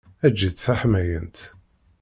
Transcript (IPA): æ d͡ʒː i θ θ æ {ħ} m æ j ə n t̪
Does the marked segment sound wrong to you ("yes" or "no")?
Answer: no